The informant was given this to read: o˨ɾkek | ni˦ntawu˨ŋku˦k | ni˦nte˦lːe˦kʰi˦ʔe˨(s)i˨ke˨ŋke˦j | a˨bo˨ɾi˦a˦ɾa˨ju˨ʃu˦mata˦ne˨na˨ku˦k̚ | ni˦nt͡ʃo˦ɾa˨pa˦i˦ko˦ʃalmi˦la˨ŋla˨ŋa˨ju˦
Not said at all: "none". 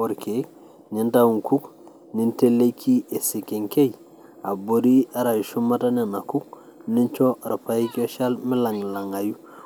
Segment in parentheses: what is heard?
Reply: s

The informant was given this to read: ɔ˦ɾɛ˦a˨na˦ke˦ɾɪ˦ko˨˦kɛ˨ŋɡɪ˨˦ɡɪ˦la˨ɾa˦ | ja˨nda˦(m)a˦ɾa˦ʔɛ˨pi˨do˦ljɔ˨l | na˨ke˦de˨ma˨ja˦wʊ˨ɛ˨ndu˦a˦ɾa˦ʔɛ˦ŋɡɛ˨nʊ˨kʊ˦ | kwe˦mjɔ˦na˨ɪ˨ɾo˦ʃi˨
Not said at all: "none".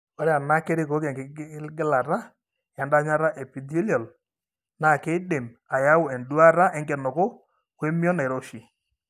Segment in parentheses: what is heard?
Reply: ɲ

